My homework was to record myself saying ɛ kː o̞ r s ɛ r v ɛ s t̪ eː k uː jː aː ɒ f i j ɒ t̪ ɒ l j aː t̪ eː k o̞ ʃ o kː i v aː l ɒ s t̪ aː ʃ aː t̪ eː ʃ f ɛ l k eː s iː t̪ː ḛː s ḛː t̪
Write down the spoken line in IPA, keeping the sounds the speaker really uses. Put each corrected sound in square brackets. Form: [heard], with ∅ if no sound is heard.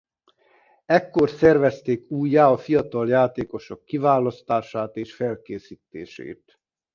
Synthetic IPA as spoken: ɛ kː o̞ r s ɛ r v ɛ s t̪ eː k uː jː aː ɒ f i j ɒ t̪ ɒ l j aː t̪ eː k o̞ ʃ o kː i v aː l ɒ s t̪ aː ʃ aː t̪ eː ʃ f ɛ l k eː s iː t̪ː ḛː [ʃ] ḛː t̪